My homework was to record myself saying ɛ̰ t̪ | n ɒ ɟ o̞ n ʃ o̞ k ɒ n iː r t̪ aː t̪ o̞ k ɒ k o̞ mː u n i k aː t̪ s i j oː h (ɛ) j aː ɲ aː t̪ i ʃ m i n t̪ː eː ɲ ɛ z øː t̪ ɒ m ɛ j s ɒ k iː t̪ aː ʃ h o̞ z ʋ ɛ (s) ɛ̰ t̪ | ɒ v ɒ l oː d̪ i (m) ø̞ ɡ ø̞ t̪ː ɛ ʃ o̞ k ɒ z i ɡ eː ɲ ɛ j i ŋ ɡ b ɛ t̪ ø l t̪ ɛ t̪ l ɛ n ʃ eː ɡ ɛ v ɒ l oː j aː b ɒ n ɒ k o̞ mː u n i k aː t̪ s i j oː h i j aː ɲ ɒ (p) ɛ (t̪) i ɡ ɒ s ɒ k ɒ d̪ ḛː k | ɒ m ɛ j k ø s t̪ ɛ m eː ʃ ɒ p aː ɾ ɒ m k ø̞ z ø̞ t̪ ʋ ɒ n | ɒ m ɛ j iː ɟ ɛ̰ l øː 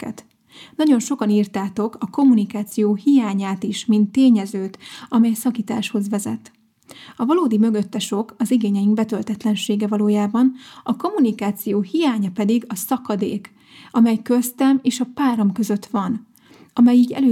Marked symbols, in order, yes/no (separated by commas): no, no, yes, yes, no